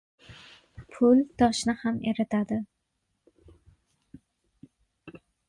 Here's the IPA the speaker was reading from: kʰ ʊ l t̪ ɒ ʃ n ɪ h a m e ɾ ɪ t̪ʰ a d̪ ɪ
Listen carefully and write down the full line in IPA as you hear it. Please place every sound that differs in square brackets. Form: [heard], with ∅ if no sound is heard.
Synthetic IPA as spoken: [pʰ] ʊ l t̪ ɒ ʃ n ɪ h a m e ɾ ɪ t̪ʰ a d̪ ɪ